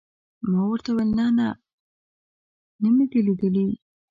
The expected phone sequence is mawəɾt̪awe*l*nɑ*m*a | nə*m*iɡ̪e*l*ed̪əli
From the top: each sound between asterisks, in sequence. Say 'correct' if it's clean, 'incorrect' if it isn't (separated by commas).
correct, incorrect, correct, correct